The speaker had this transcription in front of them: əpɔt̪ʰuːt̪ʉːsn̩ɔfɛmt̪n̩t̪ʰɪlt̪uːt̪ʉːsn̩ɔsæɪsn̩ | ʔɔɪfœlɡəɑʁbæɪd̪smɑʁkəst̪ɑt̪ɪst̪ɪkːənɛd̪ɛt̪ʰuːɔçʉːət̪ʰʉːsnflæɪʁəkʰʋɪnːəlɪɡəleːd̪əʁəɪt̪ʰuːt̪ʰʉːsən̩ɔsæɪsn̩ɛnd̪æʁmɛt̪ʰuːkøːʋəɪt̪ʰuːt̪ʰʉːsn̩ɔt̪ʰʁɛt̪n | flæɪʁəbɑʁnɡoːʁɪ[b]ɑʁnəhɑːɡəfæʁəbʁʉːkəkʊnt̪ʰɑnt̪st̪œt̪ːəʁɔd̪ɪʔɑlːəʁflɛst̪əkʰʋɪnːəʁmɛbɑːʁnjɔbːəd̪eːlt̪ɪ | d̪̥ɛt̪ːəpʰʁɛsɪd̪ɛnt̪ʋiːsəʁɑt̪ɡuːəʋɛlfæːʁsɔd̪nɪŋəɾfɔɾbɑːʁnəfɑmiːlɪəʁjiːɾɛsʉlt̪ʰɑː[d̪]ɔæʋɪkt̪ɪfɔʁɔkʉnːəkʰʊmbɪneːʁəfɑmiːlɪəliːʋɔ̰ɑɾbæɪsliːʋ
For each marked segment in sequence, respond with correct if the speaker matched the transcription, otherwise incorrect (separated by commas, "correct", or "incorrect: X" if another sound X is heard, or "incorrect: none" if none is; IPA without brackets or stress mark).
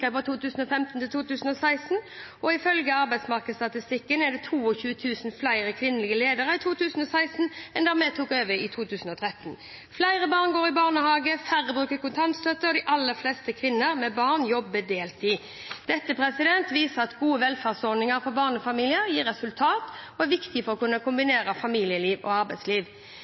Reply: correct, incorrect: t̪